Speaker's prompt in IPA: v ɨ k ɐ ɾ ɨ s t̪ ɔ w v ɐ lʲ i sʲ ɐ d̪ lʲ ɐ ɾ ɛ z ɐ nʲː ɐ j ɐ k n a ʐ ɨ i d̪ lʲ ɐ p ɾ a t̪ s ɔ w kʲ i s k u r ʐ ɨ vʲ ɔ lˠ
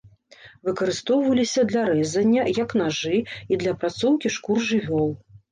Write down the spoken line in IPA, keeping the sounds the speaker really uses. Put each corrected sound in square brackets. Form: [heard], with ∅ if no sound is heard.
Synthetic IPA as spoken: v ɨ k ɐ ɾ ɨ s t̪ ɔ w v ɐ lʲ i sʲ ɐ d̪ lʲ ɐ ɾ ɛ z ɐ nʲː ɐ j ɐ k n a ʐ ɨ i d̪ lʲ ɐ p ɾ a t̪ s ɔ w kʲ i [ʂ] k u r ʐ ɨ vʲ ɔ lˠ